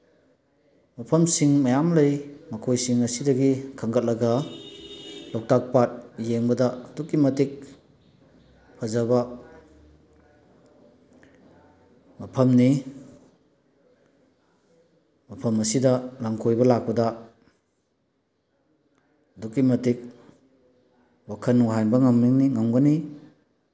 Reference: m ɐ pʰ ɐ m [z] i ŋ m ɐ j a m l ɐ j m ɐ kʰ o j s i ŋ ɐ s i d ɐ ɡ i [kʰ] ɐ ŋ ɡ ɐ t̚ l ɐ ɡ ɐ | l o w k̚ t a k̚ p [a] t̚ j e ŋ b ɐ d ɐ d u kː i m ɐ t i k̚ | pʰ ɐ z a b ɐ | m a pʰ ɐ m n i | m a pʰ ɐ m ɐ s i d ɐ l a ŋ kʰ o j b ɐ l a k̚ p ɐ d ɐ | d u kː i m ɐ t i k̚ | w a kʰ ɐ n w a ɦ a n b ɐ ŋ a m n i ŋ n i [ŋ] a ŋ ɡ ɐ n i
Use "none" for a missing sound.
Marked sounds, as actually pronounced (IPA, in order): s, kʰ, a, ŋ

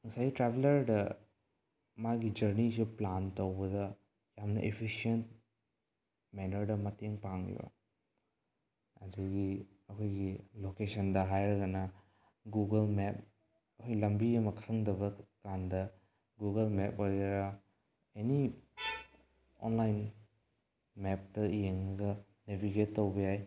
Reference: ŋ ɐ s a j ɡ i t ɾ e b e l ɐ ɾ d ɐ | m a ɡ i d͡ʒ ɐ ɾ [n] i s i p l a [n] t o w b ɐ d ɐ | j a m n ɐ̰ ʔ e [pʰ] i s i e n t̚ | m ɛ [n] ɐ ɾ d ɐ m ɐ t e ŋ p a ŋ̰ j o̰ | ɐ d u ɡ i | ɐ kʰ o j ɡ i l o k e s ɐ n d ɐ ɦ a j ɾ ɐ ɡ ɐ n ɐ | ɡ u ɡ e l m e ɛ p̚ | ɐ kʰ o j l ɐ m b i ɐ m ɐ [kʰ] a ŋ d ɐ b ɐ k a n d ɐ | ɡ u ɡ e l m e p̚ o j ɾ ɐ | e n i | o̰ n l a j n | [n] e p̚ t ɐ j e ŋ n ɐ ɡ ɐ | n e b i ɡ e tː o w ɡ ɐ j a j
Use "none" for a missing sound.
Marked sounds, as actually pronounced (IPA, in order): n, n, pʰ, n, kʰ, m

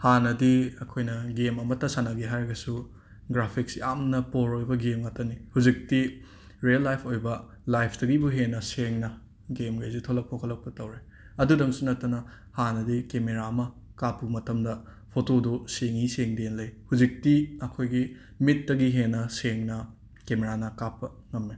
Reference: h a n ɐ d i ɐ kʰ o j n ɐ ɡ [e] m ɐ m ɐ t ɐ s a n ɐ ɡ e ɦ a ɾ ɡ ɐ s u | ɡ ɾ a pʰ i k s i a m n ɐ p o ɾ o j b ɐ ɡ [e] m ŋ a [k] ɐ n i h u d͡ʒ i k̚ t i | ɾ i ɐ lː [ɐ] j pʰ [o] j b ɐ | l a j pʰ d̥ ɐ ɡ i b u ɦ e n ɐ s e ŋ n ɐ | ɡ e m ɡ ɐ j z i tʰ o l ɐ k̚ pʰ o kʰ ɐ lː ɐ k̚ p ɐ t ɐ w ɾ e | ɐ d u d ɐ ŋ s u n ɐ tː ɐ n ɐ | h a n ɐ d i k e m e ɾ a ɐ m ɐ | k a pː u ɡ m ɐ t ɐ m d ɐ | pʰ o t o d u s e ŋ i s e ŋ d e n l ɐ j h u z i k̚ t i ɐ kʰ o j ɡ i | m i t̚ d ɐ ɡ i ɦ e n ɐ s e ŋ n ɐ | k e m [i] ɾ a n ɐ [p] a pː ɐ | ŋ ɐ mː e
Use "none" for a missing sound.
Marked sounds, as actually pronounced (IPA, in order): e, e, t, a, o, e, k

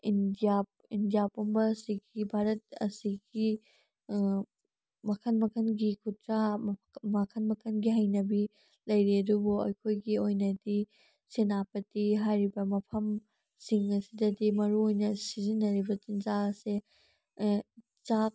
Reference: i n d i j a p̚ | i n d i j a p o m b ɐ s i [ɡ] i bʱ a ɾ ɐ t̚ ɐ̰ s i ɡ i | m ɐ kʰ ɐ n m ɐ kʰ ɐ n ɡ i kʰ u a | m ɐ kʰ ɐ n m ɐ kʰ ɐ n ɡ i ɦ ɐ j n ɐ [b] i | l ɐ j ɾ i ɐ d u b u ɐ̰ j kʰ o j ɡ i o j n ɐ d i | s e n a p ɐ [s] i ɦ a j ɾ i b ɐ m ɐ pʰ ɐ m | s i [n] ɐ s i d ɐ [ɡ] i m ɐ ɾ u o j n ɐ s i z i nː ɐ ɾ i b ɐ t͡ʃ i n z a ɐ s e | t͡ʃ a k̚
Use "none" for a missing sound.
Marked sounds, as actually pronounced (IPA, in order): ɡ, b, t, ŋ, d

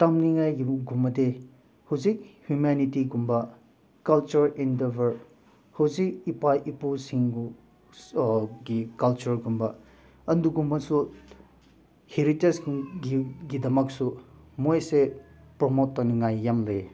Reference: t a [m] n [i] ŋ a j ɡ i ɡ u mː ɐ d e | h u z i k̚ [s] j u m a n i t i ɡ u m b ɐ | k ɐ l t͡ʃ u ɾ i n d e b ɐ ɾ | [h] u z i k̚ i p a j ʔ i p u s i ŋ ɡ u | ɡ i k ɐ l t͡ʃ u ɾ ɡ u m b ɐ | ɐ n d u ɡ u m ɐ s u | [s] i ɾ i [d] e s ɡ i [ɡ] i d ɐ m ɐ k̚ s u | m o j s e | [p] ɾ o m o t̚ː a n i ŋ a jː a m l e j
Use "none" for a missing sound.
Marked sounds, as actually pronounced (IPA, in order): m, i, h, h, h, t, ɡ, p

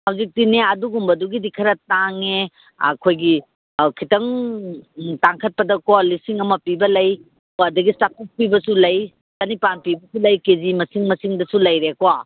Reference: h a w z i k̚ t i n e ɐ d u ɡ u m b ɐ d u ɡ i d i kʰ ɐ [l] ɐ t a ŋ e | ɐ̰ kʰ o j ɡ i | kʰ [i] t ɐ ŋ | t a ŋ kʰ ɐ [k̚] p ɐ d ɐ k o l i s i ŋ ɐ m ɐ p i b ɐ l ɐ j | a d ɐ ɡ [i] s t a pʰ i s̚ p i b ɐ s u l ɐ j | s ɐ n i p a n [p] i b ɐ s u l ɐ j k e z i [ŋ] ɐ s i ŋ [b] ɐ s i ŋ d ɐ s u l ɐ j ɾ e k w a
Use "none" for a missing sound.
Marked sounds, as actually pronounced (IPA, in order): ɾ, i, t̚, i, p, m, m

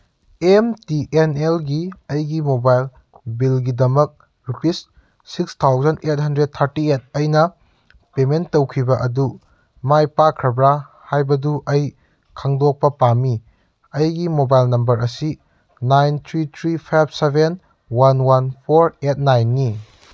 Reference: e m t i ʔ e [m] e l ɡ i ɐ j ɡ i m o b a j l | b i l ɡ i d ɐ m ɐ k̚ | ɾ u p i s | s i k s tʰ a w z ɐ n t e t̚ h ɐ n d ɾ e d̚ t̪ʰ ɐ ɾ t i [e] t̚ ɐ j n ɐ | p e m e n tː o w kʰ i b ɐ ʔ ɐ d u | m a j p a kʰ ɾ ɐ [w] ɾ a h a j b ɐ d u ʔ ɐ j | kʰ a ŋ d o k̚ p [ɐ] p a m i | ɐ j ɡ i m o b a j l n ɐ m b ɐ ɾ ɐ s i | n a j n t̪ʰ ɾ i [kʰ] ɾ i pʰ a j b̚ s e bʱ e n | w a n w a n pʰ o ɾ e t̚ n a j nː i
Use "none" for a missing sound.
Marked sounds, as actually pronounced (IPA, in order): n, e, b, ɐ, tʰ

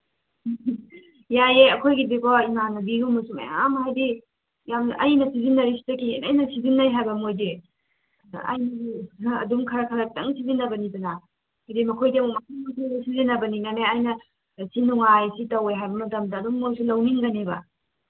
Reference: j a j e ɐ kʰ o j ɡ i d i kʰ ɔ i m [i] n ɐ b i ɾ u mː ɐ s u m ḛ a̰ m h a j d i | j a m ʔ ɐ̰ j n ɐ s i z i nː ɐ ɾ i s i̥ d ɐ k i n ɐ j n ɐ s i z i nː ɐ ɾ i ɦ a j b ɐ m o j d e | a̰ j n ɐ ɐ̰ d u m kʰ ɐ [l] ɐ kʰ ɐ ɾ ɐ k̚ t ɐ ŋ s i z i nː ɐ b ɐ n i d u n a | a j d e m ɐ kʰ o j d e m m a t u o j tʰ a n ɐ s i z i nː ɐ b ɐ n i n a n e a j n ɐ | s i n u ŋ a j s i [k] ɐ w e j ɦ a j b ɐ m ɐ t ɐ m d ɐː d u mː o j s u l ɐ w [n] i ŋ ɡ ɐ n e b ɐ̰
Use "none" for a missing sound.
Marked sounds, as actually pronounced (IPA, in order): a, ɾ, t, n

